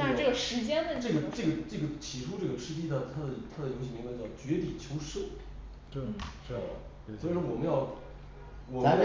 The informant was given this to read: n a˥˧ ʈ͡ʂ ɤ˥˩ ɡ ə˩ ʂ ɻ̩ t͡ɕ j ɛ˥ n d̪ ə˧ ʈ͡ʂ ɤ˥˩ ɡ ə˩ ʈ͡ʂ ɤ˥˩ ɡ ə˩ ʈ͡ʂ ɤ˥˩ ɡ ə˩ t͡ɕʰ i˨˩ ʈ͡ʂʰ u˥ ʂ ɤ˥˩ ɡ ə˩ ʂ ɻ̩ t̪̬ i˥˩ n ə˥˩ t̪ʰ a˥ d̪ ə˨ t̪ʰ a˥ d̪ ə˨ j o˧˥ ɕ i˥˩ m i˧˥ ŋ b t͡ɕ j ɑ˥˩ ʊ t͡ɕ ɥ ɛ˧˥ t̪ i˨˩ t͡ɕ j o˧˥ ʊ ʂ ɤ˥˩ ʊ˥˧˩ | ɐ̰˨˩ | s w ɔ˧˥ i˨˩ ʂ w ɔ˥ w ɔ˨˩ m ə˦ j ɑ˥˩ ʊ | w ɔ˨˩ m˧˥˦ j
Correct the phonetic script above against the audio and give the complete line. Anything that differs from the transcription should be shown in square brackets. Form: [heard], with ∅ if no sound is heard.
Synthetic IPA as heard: n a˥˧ ʈ͡ʂ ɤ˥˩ ɡ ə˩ ʂ ɻ̩ t͡ɕ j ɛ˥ n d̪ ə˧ ʈ͡ʂ ɤ˥˩ ɡ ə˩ ʈ͡ʂ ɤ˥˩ ɡ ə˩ ʈ͡ʂ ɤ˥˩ ɡ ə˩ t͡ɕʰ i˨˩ ʈ͡ʂʰ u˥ [ʈ͡ʂ] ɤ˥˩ ɡ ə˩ ʂ ɻ̩ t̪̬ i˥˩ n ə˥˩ t̪ʰ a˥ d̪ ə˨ t̪ʰ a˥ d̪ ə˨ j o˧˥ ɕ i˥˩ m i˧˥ ŋ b t͡ɕ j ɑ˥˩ ʊ t͡ɕ ɥ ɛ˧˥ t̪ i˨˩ [t͡ɕʰ] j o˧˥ ʊ ʂ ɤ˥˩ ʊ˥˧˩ | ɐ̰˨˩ | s w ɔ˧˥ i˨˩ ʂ w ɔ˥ w ɔ˨˩ m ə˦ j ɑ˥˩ ʊ | w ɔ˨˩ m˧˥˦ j